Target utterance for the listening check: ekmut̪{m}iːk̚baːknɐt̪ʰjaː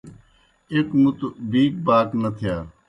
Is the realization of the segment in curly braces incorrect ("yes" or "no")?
yes